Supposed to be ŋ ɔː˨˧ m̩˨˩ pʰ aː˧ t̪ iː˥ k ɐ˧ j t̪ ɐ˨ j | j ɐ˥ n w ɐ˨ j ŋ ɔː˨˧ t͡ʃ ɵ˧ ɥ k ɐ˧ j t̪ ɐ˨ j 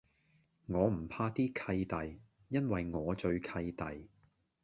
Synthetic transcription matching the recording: ŋ ɔː˨˧ m̩˨˩ pʰ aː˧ t̪ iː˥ kʰ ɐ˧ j t̪ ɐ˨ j | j ɐ˥ n w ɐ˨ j ŋ ɔː˨˧ t͡ʃ ɵ˧ ɥ kʰ ɐ˧ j t̪ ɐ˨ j